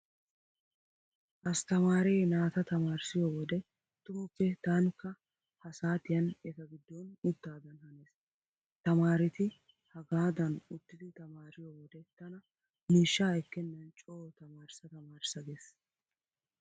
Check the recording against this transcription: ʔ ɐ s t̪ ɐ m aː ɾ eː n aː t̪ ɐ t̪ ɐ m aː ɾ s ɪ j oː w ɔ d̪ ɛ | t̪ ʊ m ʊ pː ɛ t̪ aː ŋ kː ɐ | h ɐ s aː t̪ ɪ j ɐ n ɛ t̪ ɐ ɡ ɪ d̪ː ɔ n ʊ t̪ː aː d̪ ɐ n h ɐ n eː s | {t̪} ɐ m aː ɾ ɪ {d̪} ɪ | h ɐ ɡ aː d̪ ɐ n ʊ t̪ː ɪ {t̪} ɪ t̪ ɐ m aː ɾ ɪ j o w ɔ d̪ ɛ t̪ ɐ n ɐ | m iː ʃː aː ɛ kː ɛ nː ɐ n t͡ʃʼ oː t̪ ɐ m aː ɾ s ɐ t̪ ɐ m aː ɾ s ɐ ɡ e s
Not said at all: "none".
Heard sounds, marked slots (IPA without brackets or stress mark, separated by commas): t̪, t̪, d̪